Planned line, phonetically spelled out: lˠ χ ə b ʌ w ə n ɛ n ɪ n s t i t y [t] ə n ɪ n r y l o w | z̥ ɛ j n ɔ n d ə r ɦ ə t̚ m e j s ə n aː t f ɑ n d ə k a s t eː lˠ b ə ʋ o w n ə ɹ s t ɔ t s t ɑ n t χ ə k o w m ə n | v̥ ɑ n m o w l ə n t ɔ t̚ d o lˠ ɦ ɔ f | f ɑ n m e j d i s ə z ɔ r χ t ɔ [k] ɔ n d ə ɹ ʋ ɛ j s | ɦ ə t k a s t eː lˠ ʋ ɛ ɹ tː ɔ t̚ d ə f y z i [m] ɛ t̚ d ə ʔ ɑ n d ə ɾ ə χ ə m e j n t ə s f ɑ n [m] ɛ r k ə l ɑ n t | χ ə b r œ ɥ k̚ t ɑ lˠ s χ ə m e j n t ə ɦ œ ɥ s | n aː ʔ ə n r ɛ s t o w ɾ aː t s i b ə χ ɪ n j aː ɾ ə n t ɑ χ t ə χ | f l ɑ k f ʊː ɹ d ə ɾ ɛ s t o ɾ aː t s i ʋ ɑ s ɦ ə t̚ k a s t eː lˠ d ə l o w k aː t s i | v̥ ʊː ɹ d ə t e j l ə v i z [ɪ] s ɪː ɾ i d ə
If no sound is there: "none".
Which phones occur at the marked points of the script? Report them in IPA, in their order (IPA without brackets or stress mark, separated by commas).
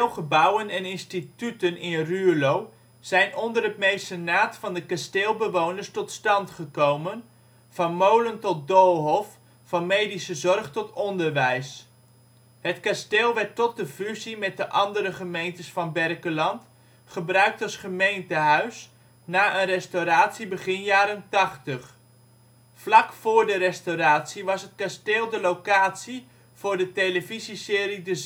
t, t, m, b, i